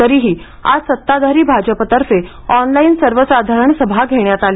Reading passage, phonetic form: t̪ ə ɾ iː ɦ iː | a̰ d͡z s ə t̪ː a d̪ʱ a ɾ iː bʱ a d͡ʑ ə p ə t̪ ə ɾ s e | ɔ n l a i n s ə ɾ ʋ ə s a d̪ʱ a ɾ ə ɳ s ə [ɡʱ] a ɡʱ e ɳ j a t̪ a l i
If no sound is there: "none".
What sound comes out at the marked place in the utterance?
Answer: bʱ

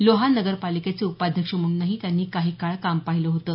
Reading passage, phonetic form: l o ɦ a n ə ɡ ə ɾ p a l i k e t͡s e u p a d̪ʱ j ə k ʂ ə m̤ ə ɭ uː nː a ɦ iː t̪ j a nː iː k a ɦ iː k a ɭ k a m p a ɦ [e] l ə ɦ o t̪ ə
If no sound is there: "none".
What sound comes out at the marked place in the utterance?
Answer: i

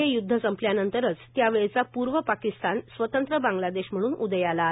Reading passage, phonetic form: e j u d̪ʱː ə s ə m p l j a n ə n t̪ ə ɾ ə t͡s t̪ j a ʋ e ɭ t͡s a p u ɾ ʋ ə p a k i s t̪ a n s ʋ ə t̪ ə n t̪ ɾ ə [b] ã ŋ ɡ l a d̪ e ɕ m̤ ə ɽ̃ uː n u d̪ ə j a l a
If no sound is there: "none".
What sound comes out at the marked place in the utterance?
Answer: b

